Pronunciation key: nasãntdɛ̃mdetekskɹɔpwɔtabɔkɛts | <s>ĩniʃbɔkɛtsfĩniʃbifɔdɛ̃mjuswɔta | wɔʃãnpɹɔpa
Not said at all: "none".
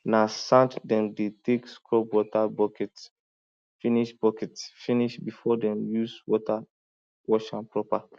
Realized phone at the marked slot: f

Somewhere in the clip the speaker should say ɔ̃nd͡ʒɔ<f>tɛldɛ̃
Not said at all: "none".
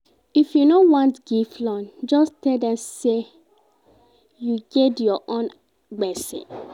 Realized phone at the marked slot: s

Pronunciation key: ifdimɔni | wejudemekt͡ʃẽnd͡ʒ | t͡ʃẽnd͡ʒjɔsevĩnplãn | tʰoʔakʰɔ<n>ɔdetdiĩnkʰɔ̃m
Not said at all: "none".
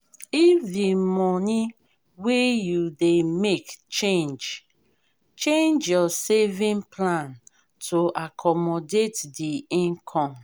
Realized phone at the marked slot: m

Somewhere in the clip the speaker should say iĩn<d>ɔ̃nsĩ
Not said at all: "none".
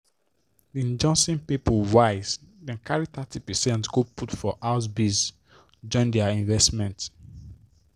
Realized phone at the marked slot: d͡ʒ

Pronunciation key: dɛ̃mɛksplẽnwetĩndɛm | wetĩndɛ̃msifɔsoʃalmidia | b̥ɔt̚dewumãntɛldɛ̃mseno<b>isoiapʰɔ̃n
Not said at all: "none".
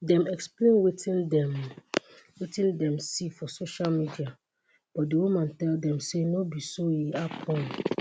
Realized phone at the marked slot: b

